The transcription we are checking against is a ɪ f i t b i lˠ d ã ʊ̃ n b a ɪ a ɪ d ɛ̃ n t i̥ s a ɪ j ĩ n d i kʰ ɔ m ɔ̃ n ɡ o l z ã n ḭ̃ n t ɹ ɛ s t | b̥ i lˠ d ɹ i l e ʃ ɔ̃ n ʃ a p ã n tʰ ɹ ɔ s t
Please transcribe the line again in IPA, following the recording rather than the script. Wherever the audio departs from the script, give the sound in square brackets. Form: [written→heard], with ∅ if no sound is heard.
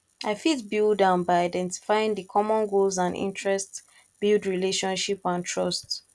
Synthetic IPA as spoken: a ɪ f i t b i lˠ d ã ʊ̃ n b a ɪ a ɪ d ɛ̃ n t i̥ [s→f] a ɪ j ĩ [n→ŋ] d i kʰ ɔ m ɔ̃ n ɡ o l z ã n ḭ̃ n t ɹ ɛ s t | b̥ i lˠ d ɹ i l e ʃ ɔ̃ n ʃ [a→i] p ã n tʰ ɹ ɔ s t